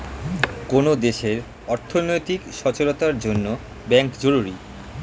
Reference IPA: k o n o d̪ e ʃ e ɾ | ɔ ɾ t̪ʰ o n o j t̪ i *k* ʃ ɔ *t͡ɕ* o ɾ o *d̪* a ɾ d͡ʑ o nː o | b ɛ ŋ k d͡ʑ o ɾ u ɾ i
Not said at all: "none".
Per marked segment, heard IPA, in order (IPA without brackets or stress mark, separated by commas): k, t͡ɕ, t̪